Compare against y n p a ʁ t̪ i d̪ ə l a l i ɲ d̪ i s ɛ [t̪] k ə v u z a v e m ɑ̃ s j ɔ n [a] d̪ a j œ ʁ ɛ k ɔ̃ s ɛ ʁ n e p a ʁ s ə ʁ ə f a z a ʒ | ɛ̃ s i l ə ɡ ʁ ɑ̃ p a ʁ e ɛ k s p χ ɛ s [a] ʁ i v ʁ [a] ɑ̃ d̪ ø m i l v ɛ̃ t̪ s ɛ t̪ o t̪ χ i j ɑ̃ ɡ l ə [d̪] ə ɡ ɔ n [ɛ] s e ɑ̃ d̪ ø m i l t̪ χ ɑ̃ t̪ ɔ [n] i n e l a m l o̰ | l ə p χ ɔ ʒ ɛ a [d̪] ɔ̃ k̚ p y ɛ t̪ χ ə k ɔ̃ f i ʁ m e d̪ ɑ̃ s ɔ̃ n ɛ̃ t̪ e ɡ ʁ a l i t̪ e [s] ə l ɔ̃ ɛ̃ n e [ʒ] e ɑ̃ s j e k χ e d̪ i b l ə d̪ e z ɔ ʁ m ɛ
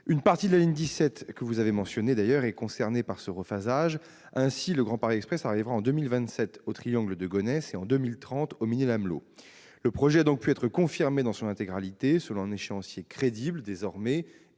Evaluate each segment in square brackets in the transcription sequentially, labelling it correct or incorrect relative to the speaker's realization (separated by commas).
correct, incorrect, correct, correct, correct, correct, incorrect, correct, correct, incorrect